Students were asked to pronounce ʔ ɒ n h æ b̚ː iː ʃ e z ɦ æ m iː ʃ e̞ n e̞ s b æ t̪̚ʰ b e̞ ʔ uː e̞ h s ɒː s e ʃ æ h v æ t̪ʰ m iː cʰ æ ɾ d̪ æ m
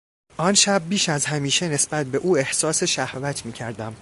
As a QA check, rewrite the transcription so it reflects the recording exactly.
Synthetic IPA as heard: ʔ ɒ n ʃ æ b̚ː iː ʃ æ z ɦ æ m iː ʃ e̞ n e̞ s b æ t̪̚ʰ b e̞ ʔ uː e̞ h s ɒː s e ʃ æ h v æ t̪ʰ m iː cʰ æ ɾ d̪ æ m